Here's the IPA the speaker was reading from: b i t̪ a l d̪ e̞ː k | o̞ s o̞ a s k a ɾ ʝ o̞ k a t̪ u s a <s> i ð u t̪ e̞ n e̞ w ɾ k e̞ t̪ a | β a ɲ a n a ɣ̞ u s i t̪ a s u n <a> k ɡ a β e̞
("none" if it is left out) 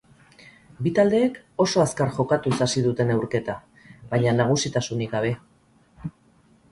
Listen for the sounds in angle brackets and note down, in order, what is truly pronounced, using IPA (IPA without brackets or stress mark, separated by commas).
s, i